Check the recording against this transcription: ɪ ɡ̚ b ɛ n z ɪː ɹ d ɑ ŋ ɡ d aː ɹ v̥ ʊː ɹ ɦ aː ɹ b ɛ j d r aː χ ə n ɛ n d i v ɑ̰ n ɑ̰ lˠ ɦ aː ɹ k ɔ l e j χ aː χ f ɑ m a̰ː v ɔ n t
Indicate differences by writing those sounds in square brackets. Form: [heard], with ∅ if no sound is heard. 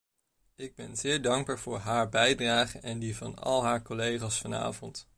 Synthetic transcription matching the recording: ɪ ɡ̚ b ɛ n z ɪː ɹ d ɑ ŋ ɡ [b] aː ɹ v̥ ʊː ɹ ɦ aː ɹ b ɛ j d r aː χ ə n ɛ n d i v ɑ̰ n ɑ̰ lˠ ɦ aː ɹ k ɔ l e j χ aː [s] f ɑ [n] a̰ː v ɔ n t

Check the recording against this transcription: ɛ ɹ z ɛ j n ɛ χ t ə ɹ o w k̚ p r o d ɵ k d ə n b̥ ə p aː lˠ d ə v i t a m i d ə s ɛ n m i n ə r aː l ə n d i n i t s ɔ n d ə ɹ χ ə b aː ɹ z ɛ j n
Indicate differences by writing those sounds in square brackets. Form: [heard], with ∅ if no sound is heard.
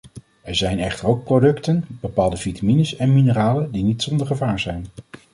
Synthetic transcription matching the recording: ɛ ɹ z ɛ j n ɛ χ t ə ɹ o w k̚ p r o d ɵ k [t] ə n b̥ ə p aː lˠ d ə v i t a m i [n] ə s ɛ n m i n ə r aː l ə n d i n i t s ɔ n d ə ɹ χ ə [v] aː ɹ z ɛ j n

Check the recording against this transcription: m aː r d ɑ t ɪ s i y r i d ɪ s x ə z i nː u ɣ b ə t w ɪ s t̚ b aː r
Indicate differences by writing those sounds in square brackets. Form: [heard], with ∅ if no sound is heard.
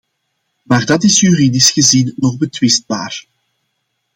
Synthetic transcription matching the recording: m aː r d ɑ t ɪ s [j] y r i d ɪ s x ə z i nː [ɔ] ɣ b ə t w ɪ s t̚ b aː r

